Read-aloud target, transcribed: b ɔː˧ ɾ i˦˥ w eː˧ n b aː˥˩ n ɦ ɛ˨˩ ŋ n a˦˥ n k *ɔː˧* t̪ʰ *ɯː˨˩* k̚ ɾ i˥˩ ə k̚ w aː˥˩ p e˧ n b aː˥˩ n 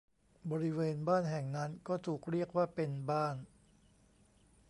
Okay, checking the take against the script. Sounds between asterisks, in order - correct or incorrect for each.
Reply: incorrect, incorrect

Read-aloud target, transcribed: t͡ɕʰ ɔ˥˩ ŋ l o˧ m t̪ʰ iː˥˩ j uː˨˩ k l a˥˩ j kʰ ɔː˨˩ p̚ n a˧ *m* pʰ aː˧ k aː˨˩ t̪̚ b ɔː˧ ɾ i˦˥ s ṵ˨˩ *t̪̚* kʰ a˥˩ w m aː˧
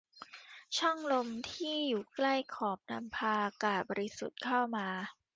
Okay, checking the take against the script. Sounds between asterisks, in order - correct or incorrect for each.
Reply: correct, correct

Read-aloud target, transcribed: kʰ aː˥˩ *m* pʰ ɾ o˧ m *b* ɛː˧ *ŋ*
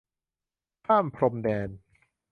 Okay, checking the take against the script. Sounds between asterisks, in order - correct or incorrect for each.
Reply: correct, incorrect, incorrect

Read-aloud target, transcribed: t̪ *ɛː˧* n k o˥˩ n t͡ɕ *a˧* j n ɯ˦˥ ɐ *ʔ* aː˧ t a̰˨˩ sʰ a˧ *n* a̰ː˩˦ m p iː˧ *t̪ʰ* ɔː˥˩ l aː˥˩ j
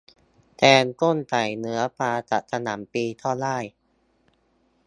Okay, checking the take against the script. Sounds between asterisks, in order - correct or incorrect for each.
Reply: correct, incorrect, incorrect, correct, correct

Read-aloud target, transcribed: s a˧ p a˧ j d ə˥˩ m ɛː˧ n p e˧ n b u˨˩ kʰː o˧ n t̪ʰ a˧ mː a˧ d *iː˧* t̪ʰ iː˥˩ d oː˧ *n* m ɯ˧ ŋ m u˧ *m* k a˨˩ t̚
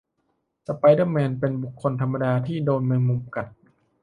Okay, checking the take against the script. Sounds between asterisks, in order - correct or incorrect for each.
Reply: incorrect, correct, correct

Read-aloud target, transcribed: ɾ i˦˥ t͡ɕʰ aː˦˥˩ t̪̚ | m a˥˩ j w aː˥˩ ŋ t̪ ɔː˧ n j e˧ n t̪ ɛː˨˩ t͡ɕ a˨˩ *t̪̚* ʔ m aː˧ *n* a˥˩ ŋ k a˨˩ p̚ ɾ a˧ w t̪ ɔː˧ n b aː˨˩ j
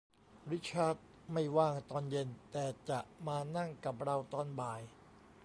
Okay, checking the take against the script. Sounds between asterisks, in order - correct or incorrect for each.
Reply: incorrect, correct

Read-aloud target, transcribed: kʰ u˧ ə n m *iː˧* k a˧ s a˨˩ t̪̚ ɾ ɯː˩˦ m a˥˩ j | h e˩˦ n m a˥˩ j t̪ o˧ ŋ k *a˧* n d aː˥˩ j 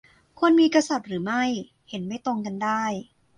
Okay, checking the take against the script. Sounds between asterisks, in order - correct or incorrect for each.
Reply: correct, correct

